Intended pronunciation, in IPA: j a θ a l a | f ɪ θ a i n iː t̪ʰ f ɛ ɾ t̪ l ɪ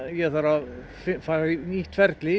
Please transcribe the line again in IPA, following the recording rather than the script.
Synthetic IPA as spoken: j ɛ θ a ɾ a | f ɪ f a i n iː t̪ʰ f ɛ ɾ t̪ l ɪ